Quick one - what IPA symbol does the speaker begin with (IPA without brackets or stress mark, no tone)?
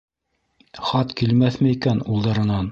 χ